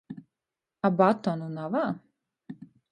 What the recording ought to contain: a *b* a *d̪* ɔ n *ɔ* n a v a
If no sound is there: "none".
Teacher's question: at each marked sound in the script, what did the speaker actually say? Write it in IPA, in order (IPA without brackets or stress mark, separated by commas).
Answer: b, t̪, u